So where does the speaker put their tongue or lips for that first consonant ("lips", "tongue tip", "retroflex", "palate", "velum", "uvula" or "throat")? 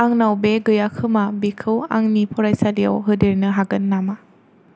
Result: velum